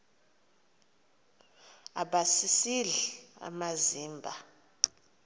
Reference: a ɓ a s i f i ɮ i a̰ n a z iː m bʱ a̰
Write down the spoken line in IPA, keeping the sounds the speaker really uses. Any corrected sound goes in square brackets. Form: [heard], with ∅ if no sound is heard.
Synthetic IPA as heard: a ɓ a s i [s] i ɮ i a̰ [m] a z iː m bʱ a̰